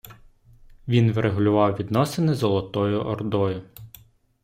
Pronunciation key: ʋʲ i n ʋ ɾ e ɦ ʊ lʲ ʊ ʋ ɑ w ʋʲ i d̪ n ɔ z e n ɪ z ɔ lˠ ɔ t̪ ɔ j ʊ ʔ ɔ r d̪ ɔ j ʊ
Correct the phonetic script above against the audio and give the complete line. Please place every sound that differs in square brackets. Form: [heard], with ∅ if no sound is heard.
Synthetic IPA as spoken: ʋʲ i n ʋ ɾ e ɦ ʊ lʲ ʊ ʋ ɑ w ʋʲ i d̪ n ɔ [s] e n ɪ z ɔ lˠ ɔ t̪ ɔ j ʊ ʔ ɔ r d̪ ɔ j ʊ